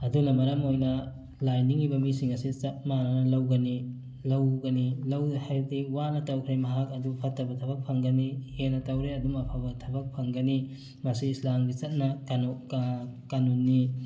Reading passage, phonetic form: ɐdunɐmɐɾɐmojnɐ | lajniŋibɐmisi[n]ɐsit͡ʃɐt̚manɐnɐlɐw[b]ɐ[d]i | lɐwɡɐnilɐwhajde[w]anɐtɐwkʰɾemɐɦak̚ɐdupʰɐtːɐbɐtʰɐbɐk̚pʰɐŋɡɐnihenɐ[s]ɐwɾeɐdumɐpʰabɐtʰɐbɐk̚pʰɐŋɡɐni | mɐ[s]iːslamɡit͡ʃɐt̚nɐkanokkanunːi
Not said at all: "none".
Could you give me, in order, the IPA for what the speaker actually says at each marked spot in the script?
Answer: ŋ, ɡ, n, w, t, s

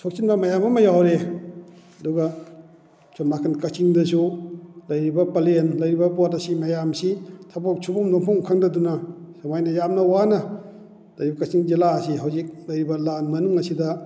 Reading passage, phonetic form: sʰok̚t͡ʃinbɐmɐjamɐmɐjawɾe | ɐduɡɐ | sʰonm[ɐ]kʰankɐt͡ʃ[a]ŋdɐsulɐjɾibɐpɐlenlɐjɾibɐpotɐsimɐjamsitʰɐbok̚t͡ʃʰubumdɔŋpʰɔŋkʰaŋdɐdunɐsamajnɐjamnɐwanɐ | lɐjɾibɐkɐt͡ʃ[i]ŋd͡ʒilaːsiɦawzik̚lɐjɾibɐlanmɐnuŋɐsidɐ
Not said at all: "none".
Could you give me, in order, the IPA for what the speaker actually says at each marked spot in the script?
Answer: a, i, i

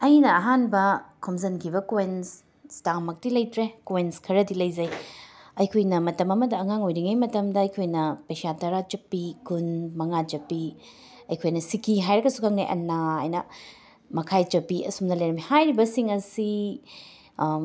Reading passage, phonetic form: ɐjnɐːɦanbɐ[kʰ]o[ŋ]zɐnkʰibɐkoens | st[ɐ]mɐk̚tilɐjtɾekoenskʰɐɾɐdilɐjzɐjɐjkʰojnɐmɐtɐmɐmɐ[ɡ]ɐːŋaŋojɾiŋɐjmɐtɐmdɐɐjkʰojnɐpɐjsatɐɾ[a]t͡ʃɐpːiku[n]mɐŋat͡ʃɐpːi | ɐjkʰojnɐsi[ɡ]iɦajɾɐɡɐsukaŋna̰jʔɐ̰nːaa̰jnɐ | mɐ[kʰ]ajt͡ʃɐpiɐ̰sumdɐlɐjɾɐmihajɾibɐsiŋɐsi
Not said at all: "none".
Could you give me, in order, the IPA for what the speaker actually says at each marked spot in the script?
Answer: kʰ, m, a, d, a, n, k, kʰ

